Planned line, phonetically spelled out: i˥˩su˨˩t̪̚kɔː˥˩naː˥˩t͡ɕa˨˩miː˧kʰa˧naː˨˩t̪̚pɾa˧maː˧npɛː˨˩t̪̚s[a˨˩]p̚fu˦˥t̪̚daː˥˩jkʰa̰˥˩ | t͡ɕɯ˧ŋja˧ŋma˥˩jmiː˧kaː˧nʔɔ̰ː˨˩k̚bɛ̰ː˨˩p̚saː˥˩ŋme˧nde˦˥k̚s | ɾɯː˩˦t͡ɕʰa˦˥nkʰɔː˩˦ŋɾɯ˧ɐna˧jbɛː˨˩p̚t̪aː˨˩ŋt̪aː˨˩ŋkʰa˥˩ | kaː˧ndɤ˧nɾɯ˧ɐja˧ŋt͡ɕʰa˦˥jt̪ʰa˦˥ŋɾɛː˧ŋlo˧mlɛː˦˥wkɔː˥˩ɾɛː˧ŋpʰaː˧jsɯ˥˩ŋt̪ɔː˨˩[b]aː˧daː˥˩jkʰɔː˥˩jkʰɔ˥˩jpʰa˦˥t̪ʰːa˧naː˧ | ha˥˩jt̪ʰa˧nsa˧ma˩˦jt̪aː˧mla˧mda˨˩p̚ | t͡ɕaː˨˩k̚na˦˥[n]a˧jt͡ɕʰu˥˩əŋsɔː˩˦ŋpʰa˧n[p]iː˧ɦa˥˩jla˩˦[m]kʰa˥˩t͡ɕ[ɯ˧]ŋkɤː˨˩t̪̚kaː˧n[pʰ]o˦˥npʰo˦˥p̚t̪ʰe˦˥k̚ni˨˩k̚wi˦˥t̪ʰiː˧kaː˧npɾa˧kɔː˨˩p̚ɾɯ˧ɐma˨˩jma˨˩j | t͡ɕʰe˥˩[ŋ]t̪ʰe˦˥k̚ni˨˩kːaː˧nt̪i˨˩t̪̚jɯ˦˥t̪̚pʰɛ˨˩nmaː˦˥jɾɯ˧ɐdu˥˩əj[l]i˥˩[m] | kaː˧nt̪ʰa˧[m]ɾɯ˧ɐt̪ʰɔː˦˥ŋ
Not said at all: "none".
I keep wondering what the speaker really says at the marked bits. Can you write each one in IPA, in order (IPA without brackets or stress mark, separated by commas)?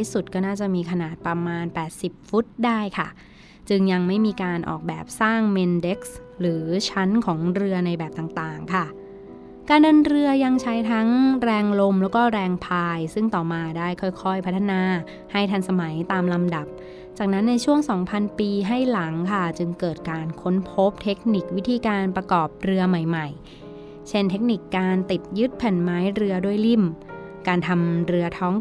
i˨˩, m, nː, p, ŋ, ɯ˧, kʰ, n, l, m, m